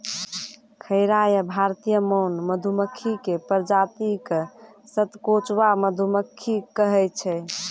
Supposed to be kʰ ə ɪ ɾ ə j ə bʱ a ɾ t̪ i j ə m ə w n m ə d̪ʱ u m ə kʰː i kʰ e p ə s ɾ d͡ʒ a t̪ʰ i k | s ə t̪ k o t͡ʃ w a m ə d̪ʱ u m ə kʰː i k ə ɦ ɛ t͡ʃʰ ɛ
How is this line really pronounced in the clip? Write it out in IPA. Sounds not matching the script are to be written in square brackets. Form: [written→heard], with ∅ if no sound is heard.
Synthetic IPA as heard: kʰ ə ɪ ɾ [ə→a] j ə bʱ a ɾ t̪ i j ə m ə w n m ə d̪ʱ u m ə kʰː i [kʰ→k] e p ə [s→∅] ɾ d͡ʒ a [t̪ʰ→t̪] i k | s ə t̪ k o t͡ʃ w a m ə d̪ʱ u m ə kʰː i k ə ɦ ɛ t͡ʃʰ ɛ

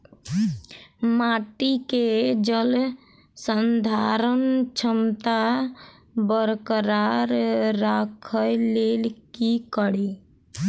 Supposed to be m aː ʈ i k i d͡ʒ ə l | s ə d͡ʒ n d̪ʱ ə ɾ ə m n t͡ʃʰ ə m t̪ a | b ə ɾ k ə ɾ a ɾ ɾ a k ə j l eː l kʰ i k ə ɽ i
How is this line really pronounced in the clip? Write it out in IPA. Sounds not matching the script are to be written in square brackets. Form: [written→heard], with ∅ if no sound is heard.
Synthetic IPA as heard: m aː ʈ i k [i→e] d͡ʒ ə l | s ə [d͡ʒ→∅] n d̪ʱ [ə→a] ɾ ə [m→∅] n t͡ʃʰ ə m t̪ a | b ə ɾ k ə ɾ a ɾ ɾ a [k→kʰ] ə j l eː l [kʰ→k] i k ə ɽ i

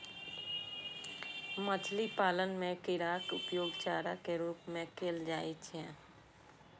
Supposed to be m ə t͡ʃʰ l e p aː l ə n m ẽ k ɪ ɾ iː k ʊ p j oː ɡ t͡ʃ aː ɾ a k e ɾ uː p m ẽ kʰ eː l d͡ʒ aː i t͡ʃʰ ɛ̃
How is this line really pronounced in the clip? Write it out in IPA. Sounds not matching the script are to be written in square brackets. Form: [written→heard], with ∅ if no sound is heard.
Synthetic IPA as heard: m ə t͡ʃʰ l [e→i] p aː l ə n m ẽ k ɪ ɾ [iː→aː] k ʊ p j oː ɡ t͡ʃ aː ɾ a k e ɾ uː p m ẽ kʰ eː l d͡ʒ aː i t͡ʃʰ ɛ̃

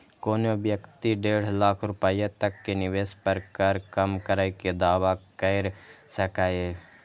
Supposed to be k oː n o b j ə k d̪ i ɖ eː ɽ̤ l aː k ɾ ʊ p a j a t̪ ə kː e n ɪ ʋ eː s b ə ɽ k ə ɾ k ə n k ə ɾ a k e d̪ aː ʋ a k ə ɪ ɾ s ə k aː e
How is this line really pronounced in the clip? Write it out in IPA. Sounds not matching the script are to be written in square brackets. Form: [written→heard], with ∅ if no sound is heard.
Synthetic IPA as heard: k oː n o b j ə k [d̪→t̪] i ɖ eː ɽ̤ l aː [k→kʰ] ɾ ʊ p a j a t̪ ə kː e n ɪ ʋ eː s [b→p] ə [ɽ→ɾ] k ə ɾ k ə [n→m] k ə ɾ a k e d̪ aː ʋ a k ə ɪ ɾ s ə k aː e

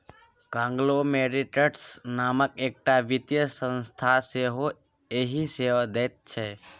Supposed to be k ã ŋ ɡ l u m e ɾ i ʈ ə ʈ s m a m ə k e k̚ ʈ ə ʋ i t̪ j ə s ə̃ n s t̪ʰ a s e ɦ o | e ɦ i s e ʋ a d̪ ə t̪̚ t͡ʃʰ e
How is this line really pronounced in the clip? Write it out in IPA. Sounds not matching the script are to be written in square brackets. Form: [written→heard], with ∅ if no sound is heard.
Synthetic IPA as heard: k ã ŋ ɡ l [u→o] m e ɾ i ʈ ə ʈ s [m→n] a m ə k e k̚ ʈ [ə→a] ʋ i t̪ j ə s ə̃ n s t̪ʰ a s e ɦ o | e ɦ i s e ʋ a d̪ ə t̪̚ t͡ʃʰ e

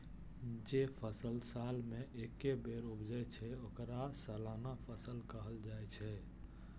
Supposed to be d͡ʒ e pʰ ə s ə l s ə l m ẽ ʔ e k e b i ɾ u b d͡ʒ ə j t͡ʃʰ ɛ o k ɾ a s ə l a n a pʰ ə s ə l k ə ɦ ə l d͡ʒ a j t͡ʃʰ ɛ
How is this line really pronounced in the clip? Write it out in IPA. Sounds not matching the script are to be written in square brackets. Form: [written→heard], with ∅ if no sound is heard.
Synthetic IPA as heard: d͡ʒ e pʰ ə s ə l s [ə→a] l m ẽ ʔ e k e b [i→e] ɾ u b d͡ʒ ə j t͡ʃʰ ɛ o k ɾ a s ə l a n a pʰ ə s ə l k ə ɦ ə l d͡ʒ a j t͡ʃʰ ɛ

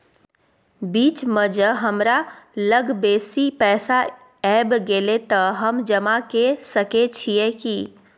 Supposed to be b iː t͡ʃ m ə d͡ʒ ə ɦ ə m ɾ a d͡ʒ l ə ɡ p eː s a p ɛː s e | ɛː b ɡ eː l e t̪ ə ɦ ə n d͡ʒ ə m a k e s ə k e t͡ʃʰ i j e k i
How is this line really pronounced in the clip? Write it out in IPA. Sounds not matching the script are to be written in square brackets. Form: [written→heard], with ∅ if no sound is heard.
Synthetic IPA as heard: b iː t͡ʃ m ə d͡ʒ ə ɦ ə m ɾ a [d͡ʒ→∅] l ə ɡ [p→b] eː s [a→i] p ɛː s [e→a] | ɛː b ɡ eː l e t̪ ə ɦ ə [n→m] d͡ʒ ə m a k e s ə k e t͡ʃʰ i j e k i

